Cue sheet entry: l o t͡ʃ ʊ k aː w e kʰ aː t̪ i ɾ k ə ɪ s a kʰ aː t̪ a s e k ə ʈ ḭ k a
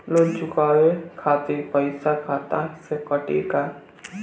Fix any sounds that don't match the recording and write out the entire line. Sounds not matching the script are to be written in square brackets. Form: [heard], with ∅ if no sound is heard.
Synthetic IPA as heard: l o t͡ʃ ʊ k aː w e kʰ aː t̪ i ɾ [p] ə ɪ s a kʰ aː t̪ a s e k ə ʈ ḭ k a